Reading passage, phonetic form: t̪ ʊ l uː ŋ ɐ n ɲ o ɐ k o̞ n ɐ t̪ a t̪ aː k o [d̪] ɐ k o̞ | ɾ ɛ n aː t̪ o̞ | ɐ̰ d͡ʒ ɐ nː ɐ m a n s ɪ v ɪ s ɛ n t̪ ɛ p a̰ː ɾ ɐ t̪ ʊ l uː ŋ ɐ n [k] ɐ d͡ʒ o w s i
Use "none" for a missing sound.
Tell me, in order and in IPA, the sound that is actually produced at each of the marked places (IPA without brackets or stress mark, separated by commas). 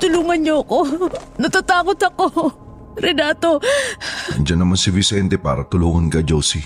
t̪, k